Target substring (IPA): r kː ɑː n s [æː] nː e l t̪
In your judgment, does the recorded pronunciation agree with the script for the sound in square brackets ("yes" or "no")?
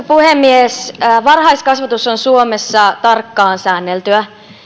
yes